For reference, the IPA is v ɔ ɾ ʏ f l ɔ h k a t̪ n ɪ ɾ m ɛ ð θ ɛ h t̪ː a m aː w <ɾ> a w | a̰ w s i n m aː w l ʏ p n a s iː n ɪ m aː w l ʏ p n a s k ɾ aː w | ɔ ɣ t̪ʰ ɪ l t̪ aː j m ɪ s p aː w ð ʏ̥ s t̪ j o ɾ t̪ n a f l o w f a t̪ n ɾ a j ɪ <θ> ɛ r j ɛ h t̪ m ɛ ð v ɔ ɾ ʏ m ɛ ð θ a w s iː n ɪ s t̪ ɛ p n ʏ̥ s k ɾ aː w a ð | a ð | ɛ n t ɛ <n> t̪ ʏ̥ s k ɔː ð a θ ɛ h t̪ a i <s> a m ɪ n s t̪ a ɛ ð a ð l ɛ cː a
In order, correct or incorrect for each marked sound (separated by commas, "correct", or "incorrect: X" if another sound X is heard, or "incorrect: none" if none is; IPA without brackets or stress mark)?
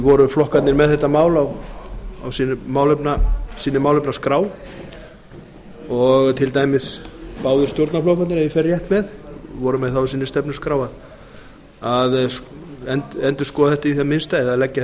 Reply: incorrect: l, incorrect: f, correct, incorrect: θ